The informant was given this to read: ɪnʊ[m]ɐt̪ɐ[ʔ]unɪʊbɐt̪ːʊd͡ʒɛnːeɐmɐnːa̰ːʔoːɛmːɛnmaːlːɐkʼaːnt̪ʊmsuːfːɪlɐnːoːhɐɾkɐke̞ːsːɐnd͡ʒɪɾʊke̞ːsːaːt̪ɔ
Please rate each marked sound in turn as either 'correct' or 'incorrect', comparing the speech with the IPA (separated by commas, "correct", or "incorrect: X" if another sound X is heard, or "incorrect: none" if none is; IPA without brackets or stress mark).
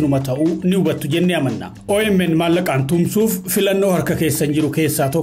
correct, correct